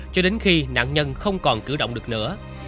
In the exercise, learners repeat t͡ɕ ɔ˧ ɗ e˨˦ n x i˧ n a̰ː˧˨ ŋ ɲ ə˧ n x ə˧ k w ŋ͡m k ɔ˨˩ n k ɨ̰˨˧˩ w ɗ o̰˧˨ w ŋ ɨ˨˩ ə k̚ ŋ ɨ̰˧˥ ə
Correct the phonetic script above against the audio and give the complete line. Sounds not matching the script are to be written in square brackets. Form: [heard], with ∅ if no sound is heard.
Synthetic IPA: t͡ɕ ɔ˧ ɗ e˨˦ n x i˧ n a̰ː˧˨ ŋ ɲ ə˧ n x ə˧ [∅] w ŋ͡m k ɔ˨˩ n k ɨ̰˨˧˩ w ɗ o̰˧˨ w [ŋ͡m] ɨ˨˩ ə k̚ [n] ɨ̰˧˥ ə